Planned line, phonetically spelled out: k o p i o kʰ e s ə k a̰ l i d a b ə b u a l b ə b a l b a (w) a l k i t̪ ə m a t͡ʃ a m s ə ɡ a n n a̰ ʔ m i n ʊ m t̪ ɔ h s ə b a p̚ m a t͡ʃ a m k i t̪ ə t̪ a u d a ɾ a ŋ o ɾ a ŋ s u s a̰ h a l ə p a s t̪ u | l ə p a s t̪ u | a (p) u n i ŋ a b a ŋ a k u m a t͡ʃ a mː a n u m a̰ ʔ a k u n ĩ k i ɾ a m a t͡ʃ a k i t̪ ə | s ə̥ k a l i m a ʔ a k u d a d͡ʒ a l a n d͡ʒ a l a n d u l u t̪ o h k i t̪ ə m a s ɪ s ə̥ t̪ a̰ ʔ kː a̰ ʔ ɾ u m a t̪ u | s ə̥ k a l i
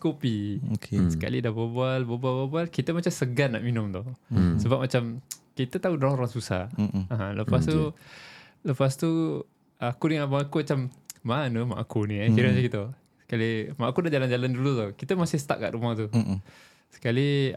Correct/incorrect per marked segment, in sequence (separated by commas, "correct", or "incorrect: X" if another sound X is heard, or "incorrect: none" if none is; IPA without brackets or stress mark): incorrect: b, incorrect: k